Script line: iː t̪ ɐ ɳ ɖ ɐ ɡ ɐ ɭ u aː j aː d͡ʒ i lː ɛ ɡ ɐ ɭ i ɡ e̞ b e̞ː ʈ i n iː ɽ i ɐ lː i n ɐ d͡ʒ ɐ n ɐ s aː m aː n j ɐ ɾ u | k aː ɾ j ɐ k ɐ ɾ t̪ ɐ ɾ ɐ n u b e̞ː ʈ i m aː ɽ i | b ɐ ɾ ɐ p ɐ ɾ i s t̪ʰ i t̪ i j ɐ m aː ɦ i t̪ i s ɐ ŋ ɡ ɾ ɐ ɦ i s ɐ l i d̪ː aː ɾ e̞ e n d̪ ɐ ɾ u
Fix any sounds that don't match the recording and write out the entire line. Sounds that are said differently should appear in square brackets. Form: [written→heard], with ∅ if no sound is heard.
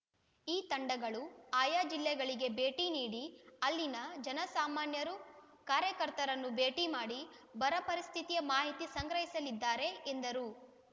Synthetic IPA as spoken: iː t̪ ɐ ɳ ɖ ɐ ɡ ɐ ɭ u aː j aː d͡ʒ i lː ɛ ɡ ɐ ɭ i ɡ e̞ b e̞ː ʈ i n iː ɽ i ɐ lː i n ɐ d͡ʒ ɐ n ɐ s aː m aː n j ɐ ɾ u | k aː ɾ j ɐ k ɐ ɾ t̪ ɐ ɾ ɐ [n→nː] u b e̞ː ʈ i m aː ɽ i | b ɐ ɾ ɐ p ɐ ɾ i s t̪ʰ i t̪ i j ɐ m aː ɦ i t̪ i s ɐ ŋ ɡ ɾ ɐ ɦ i s ɐ l i d̪ː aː ɾ e̞ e n d̪ ɐ ɾ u